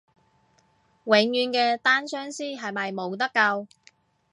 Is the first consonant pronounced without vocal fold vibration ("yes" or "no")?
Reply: no